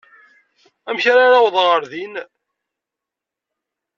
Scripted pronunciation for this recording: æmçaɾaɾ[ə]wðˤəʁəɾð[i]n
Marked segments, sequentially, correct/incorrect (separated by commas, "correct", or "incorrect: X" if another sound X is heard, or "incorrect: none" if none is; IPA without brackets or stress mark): incorrect: a, correct